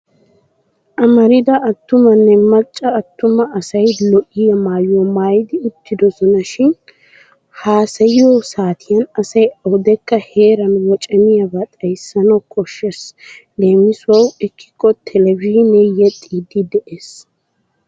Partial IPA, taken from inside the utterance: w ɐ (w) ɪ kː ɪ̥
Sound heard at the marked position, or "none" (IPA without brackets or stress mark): w